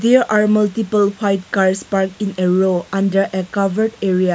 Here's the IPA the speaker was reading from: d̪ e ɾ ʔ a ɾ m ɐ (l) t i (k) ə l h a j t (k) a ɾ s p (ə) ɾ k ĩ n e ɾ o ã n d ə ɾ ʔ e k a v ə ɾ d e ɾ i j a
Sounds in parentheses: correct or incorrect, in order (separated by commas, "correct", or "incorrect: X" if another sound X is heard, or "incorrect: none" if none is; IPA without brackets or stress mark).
correct, incorrect: p, correct, incorrect: a